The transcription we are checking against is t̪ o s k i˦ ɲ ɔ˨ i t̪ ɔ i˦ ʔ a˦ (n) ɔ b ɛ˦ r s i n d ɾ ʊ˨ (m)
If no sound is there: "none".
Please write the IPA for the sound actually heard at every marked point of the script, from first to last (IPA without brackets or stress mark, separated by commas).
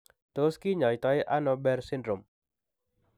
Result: n, m